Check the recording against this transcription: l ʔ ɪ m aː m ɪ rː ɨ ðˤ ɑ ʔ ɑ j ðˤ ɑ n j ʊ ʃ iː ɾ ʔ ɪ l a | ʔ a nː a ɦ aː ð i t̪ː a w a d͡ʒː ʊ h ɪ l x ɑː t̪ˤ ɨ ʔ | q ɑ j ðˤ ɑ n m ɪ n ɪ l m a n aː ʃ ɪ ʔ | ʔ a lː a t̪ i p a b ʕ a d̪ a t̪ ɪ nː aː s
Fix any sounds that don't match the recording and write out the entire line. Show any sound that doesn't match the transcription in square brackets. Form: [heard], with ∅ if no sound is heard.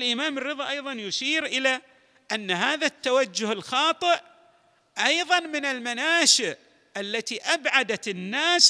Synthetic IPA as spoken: l ʔ ɪ m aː m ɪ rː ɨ ðˤ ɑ ʔ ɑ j ðˤ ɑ n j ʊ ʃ iː ɾ ʔ ɪ l a | ʔ a nː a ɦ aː ð [a] t̪ː a w a d͡ʒː ʊ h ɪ l x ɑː t̪ˤ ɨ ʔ | [ʔ] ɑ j ðˤ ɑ n m ɪ n ɪ l m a n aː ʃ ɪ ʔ | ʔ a lː a t̪ i [ʔ] a b ʕ a d̪ a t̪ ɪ nː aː s